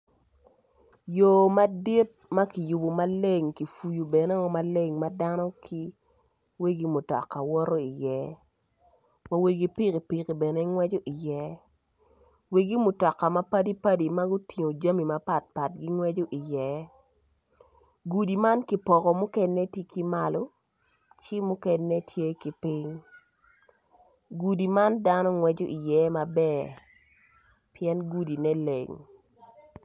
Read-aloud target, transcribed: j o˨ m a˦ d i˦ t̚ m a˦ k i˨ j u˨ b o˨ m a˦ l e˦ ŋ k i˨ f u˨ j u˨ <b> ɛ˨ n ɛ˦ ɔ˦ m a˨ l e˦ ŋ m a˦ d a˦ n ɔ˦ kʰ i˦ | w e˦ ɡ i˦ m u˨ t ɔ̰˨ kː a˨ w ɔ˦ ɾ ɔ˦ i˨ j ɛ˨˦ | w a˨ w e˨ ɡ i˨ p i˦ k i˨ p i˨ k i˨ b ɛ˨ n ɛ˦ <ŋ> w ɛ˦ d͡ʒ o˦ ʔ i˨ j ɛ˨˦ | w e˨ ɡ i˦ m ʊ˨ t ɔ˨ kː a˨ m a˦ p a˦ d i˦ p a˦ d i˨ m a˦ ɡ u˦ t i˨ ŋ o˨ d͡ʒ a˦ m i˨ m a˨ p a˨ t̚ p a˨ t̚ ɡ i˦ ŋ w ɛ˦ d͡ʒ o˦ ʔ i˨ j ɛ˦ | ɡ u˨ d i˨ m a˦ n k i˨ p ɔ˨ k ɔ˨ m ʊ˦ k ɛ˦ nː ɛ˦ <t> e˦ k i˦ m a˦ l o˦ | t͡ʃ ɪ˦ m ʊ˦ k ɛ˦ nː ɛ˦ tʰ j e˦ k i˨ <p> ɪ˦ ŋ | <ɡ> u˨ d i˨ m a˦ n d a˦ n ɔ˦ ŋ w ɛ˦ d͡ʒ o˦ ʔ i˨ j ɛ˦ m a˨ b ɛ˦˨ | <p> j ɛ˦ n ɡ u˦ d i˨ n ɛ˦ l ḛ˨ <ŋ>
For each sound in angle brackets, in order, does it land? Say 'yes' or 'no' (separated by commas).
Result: yes, yes, yes, yes, yes, yes, yes